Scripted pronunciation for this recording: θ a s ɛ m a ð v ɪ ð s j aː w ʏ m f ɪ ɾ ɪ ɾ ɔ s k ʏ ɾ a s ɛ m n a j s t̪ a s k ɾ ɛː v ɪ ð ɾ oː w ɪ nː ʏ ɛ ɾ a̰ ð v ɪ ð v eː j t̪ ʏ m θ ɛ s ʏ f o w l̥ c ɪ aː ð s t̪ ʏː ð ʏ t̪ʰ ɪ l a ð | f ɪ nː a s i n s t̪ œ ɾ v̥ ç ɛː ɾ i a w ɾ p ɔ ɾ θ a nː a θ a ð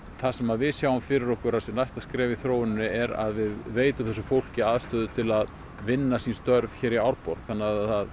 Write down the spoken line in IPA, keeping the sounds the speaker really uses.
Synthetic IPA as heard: θ a s ɛ m a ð v ɪ ð s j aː w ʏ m f ɪ ɾ ɪ ɾ ɔ h k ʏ ɾ a s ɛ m n a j s t̪ a s k ɾ ɛː v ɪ θ ɾ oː w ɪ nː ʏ ɛ ɾ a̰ ð v ɪ ð v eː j t̪ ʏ m θ ɛ s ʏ f o w l̥ c ɪ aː ð s t̪ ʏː ð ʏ t̪ʰ ɪ l a ð | v ɪ nː a s i n s t̪ œ ɾ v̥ ç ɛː ɾ i a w ɾ p ɔ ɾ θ a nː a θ a ð